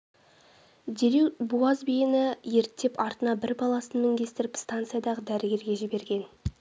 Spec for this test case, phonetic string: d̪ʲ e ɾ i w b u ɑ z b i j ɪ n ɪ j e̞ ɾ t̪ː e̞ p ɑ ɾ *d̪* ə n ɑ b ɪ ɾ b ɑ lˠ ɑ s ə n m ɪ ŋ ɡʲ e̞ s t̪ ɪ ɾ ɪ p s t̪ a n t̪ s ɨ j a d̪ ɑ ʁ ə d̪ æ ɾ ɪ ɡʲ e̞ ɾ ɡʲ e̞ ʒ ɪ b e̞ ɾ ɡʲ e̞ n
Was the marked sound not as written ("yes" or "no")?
yes